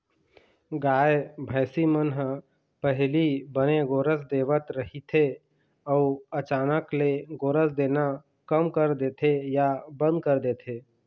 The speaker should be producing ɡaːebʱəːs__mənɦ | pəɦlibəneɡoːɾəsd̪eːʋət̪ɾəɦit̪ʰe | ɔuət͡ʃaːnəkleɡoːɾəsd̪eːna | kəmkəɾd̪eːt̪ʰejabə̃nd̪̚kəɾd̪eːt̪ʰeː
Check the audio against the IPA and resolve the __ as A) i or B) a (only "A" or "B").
A